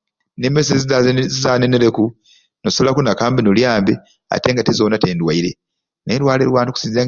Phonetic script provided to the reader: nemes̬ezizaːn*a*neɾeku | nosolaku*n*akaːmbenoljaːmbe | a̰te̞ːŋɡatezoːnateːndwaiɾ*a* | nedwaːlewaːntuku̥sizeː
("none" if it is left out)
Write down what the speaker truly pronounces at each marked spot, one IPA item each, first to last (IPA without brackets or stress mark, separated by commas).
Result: e, n, e